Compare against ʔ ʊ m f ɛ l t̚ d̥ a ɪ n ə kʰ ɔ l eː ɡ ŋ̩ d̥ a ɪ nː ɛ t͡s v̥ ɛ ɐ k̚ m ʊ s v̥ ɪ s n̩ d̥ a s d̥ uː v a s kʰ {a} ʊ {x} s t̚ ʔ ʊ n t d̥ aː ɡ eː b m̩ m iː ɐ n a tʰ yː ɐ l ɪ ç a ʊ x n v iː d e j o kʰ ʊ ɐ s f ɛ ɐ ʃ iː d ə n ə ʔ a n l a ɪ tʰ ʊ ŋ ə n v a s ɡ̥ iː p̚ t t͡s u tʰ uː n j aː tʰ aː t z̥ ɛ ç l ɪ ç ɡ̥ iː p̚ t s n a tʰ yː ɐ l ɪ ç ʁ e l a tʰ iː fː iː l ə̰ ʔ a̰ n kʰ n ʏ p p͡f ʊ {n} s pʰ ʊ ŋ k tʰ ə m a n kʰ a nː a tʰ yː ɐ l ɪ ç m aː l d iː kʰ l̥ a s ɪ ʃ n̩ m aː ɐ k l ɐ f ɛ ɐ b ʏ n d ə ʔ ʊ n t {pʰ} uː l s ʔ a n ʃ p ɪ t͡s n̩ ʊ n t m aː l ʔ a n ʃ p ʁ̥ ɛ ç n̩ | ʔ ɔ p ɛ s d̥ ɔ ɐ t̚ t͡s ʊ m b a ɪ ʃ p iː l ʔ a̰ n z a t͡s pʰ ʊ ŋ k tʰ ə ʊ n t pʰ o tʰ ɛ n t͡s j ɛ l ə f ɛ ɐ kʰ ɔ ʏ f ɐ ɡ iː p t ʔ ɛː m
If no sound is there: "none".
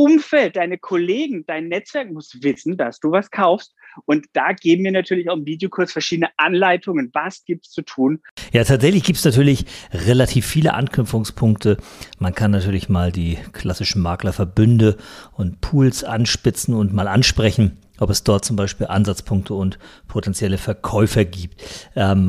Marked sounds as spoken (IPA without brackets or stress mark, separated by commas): a, f, ŋ, pʰ